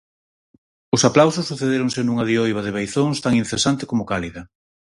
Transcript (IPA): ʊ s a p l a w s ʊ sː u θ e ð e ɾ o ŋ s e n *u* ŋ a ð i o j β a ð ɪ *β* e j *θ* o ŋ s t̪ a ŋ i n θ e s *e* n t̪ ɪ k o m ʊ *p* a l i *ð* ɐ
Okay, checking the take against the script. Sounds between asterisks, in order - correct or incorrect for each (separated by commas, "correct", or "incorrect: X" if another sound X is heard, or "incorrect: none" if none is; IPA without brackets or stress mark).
correct, correct, correct, incorrect: a, incorrect: k, correct